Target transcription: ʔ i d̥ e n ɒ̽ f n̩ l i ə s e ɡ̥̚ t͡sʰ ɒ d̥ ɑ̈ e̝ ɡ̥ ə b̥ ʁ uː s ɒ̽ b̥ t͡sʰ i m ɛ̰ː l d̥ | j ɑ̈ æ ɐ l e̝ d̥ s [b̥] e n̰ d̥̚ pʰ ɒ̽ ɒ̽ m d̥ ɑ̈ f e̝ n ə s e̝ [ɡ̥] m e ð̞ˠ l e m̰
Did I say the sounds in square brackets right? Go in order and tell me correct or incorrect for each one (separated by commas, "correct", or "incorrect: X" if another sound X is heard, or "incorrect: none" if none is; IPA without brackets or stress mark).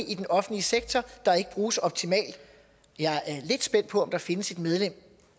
correct, incorrect: d̥